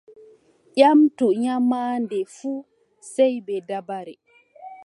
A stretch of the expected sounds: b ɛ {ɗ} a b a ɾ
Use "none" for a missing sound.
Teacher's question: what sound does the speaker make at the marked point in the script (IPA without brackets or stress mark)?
d